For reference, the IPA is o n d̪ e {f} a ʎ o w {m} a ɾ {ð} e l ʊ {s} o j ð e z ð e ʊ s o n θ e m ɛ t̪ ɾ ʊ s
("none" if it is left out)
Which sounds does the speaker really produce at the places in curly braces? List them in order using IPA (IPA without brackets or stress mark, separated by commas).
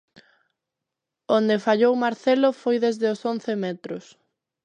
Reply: f, m, θ, f